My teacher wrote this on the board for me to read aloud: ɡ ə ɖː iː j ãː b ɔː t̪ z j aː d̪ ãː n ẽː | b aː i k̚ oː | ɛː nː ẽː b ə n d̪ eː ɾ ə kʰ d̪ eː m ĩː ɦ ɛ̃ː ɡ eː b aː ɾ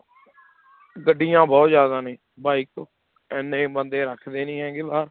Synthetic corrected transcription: ɡ ə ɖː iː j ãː b ɔː t̪ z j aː d̪ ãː n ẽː | b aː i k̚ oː | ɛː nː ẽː b ə n d̪ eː ɾ ə kʰ d̪ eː n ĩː ɦ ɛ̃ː ɡ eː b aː ɾ